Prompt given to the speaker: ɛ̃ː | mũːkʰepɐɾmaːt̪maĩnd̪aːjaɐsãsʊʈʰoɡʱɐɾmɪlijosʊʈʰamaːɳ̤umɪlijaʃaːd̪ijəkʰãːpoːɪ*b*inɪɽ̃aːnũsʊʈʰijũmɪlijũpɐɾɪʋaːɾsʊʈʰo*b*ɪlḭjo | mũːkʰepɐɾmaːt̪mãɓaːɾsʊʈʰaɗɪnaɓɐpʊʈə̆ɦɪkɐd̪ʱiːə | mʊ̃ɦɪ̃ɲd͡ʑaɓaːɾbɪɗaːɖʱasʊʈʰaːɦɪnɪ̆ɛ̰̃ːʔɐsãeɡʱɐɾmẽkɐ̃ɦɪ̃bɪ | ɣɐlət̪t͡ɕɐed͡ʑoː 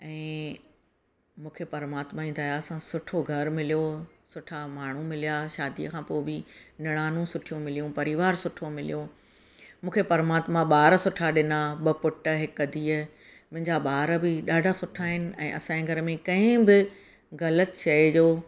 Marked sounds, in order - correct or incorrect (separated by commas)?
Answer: correct, incorrect